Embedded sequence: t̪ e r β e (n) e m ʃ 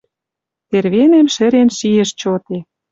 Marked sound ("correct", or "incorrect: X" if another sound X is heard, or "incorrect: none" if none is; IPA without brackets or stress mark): correct